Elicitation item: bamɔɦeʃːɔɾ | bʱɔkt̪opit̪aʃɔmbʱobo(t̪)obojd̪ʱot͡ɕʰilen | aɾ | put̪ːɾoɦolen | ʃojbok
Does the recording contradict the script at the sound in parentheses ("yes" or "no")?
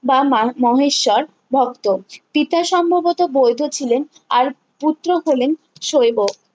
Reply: no